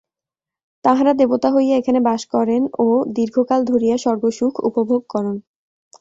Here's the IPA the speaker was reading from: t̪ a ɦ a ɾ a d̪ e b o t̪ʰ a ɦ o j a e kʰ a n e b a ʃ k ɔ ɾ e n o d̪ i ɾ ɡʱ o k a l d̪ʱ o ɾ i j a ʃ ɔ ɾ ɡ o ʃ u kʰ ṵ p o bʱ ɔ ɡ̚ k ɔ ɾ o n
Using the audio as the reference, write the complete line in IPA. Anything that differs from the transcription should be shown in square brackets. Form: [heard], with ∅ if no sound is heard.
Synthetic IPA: t̪ a ɦ a ɾ a d̪ e b o [t̪] a ɦ o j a e kʰ a n e b a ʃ k ɔ ɾ e n o d̪ i ɾ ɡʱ o k a l d̪ʱ o ɾ i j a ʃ ɔ ɾ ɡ o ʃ u kʰ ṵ p o bʱ [o] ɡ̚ k ɔ ɾ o n